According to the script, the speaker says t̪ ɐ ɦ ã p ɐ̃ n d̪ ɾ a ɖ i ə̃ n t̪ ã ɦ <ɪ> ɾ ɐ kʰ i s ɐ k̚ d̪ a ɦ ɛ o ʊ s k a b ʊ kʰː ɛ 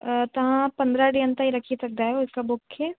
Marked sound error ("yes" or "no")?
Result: yes